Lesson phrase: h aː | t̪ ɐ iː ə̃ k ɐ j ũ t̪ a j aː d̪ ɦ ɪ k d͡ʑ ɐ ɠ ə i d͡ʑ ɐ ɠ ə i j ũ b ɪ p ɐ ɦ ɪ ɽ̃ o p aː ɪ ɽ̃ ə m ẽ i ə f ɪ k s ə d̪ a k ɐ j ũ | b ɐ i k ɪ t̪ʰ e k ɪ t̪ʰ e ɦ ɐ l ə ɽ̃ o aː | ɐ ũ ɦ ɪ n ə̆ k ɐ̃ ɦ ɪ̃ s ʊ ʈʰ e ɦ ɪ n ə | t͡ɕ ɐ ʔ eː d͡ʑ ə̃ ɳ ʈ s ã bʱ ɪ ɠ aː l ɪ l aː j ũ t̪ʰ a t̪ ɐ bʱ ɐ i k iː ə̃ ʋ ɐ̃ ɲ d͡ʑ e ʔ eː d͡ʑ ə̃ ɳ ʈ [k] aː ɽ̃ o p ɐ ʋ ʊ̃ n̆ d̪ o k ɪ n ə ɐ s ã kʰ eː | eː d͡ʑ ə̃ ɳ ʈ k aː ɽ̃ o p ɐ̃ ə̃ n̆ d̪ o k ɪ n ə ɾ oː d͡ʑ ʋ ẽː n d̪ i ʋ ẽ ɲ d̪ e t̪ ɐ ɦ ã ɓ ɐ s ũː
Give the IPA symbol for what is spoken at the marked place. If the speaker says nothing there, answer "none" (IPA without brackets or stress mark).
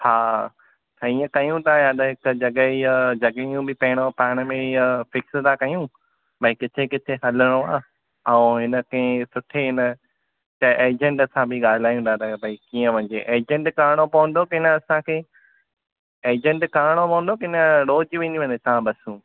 k